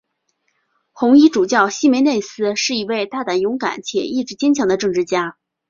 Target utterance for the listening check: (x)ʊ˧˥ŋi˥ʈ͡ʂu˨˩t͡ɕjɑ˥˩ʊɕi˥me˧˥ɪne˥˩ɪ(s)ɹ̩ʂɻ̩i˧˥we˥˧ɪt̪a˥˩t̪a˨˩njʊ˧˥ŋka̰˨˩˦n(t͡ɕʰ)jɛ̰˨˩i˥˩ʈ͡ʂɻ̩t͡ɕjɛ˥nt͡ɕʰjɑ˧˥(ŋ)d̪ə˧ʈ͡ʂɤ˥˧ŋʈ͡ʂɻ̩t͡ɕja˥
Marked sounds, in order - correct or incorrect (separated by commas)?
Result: correct, correct, correct, correct